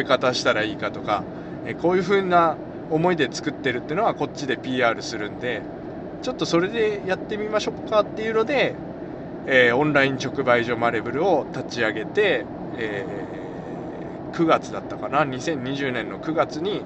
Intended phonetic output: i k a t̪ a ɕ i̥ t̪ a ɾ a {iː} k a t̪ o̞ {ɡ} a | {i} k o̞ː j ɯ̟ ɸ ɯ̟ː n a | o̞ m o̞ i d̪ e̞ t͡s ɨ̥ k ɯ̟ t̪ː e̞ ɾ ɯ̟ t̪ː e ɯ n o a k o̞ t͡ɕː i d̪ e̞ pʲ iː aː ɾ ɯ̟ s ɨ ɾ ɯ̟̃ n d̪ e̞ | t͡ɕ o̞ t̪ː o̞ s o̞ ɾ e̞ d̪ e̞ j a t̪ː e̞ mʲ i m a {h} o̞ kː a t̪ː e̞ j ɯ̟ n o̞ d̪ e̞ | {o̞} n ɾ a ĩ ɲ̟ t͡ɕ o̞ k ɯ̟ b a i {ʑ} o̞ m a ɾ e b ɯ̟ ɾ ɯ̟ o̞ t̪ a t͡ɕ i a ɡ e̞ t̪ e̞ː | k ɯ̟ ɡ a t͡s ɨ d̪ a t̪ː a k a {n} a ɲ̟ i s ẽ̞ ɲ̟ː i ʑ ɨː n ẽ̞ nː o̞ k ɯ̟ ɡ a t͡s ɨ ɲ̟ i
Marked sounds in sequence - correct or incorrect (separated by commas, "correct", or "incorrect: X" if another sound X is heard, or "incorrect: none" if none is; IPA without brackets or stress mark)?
correct, incorrect: k, incorrect: e, incorrect: ɕ, incorrect: õ̞, correct, correct